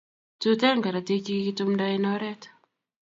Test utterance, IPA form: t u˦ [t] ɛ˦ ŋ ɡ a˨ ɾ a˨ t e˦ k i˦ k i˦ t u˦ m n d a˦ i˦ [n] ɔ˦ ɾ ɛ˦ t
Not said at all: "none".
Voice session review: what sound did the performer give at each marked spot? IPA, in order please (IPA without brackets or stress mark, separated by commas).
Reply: t, n